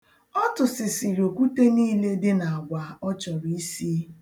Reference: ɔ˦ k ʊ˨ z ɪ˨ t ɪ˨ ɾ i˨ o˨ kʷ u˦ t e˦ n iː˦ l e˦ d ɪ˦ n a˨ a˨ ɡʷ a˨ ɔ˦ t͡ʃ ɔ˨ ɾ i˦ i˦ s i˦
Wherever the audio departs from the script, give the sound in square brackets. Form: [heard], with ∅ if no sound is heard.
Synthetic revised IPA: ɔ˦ [t] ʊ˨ [s] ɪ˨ [s] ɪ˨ ɾ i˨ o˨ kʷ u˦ t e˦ n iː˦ l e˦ d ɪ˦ n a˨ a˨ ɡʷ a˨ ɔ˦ t͡ʃ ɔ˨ ɾ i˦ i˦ s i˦